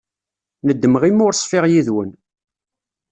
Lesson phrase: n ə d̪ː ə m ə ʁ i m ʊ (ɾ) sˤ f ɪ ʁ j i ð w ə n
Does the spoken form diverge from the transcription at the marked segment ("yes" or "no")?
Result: no